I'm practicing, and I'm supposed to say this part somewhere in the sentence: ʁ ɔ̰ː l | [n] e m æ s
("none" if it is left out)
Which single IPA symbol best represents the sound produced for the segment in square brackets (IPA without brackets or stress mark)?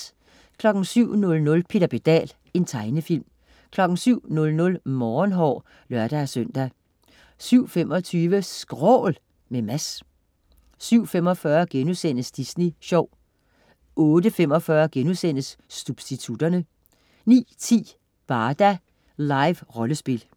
m